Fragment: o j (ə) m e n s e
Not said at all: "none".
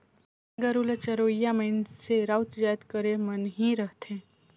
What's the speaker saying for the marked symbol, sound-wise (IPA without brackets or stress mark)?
a